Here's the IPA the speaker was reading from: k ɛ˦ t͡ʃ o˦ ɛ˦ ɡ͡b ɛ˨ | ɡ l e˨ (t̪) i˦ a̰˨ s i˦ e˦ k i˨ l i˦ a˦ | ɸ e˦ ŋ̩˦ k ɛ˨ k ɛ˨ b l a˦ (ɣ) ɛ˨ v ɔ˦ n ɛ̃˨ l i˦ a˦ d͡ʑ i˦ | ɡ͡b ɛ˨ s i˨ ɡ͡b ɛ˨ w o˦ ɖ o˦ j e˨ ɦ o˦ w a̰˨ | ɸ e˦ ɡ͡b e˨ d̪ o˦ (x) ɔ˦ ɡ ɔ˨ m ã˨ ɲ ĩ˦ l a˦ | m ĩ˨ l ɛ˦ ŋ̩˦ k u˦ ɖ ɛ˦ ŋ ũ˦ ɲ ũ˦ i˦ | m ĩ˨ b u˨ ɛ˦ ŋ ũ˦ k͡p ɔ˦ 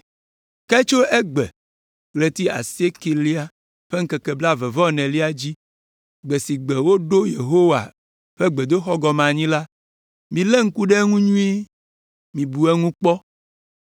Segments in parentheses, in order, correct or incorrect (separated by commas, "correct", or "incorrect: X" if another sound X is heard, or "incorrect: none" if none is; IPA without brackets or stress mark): correct, incorrect: v, correct